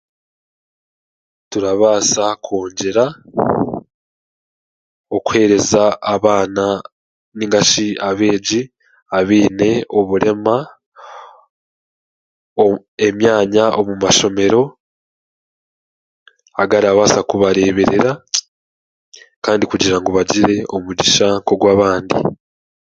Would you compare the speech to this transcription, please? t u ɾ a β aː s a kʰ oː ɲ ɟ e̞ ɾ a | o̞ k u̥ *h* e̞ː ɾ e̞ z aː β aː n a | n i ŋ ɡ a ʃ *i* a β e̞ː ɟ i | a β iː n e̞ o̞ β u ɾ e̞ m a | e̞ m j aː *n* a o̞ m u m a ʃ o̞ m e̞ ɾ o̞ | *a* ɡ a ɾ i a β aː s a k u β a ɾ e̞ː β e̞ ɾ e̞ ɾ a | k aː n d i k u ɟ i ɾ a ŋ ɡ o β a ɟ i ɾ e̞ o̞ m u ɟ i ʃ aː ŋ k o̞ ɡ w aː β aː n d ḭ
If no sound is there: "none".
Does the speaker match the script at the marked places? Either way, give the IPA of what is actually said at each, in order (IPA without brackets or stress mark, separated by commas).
h, i, ɲ, a